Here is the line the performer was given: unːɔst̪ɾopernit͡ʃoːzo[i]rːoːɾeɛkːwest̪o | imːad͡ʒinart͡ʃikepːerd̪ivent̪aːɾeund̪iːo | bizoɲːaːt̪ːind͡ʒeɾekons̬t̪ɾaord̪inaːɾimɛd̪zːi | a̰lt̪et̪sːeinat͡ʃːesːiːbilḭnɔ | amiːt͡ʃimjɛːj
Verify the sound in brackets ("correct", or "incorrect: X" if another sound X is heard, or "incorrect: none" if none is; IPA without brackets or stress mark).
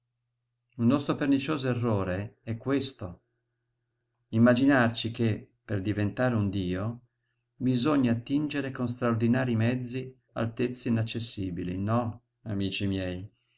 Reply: incorrect: e